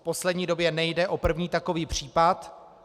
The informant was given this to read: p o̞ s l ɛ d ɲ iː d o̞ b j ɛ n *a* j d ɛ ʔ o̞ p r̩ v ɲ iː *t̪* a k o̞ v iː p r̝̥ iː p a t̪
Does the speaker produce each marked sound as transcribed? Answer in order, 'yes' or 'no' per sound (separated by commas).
no, yes